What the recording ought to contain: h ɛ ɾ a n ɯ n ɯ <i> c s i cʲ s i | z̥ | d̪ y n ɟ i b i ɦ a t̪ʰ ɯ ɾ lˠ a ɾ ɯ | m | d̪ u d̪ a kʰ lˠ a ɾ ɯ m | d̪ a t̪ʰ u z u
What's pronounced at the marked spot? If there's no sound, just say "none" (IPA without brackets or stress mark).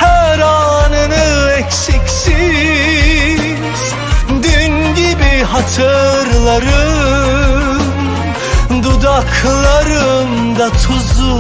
ɛ